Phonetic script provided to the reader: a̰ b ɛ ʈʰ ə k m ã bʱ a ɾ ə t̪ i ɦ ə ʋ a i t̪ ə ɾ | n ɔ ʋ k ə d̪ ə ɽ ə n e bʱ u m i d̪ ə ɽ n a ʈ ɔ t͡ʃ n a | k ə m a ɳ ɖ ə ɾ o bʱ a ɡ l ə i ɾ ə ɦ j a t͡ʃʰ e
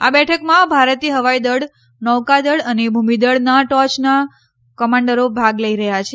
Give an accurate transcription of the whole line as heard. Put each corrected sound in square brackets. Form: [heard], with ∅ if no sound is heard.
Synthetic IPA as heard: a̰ b ɛ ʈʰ ə k m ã bʱ a ɾ ə t̪ i ɦ ə ʋ a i [d̪] ə [ɽ] | n ɔ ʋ k [a] d̪ ə ɽ ə n e bʱ u m i d̪ ə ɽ n a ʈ ɔ t͡ʃ n a | k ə m a ɳ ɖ ə ɾ o bʱ a ɡ l ə i ɾ ə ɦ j a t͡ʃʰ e